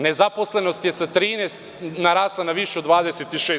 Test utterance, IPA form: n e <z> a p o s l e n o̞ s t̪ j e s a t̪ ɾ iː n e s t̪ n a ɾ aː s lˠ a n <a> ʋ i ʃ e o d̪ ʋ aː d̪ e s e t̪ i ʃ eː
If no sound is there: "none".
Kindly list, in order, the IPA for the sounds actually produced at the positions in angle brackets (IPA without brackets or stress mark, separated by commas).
z, a